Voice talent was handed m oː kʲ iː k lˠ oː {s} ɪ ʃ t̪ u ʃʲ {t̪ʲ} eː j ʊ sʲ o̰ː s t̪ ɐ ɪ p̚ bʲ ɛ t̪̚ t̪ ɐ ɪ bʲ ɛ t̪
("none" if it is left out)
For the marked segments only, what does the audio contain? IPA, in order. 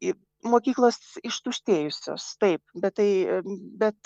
s, t̪ʲ

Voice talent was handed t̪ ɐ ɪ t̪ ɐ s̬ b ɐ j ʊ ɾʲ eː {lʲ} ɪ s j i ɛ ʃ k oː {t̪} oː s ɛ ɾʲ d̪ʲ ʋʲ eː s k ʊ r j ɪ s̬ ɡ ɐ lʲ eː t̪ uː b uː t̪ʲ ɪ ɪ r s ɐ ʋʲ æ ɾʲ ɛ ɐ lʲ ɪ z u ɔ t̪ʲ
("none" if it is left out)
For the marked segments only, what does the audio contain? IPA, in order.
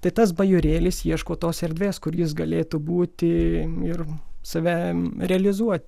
lʲ, t̪

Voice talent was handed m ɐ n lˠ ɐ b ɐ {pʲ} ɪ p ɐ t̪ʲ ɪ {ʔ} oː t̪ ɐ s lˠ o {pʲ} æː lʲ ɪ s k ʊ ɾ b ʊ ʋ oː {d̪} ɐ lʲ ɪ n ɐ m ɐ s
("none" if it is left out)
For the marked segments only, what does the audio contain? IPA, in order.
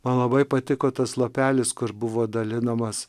none, k, pʲ, d̪

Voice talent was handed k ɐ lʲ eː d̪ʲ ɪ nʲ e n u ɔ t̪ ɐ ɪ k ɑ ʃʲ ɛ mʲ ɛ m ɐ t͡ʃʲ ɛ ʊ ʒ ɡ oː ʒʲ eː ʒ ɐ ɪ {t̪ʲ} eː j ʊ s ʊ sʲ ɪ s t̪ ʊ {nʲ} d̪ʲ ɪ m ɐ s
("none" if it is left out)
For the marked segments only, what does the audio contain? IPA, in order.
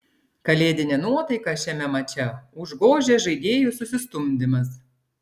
d̪ʲ, mʲ

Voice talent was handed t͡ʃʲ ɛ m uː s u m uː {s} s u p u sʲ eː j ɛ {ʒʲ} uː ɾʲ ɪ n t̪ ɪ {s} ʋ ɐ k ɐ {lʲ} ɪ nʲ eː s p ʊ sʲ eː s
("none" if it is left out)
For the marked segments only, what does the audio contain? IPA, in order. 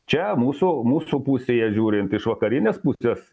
s, ʒʲ, ʃ, ɾʲ

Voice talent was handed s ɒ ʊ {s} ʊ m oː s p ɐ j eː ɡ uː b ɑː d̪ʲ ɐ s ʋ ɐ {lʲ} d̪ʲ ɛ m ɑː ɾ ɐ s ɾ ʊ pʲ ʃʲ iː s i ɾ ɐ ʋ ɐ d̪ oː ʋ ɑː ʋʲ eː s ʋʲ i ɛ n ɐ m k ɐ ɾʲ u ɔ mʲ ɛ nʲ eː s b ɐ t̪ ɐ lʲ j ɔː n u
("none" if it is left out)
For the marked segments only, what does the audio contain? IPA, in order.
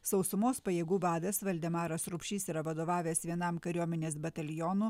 s, lʲ

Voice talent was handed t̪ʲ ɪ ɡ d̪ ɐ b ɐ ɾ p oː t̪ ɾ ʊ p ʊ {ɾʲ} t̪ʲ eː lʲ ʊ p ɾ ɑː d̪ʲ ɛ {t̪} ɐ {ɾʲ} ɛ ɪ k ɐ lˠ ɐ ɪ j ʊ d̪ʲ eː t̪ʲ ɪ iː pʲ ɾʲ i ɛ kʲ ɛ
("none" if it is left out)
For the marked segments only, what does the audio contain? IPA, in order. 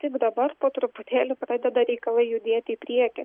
none, d̪, ɾʲ

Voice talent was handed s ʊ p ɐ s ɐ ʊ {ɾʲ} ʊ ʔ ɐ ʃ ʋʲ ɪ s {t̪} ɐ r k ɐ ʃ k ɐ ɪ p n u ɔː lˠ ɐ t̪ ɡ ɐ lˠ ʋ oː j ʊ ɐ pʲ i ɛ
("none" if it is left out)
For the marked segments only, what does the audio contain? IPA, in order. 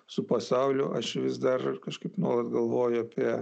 lʲ, d̪

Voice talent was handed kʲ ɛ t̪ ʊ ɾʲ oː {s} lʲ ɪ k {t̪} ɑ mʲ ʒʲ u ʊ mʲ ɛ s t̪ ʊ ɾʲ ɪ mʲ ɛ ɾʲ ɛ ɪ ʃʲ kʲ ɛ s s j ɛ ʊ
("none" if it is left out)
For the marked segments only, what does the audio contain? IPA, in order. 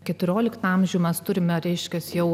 none, t̪

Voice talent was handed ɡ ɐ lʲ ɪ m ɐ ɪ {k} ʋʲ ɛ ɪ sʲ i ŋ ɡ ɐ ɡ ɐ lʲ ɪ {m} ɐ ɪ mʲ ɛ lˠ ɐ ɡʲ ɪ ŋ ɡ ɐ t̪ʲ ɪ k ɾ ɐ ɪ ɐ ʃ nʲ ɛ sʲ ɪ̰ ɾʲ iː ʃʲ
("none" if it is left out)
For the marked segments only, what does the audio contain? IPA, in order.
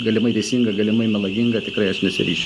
none, m

